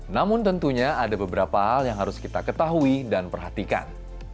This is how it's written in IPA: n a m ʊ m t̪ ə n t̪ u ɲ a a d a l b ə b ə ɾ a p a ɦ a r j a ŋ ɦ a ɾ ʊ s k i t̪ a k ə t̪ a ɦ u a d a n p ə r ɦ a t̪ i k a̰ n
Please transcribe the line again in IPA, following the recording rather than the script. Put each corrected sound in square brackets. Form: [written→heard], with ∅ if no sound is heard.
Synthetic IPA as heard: n a m ʊ [m→n] t̪ ə n t̪ u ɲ a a d a [l→∅] b ə b ə ɾ a p a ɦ a [r→l] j a ŋ ɦ a ɾ ʊ s k i t̪ a k ə t̪ a ɦ u [a→i] d a n p ə r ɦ a t̪ i k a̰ n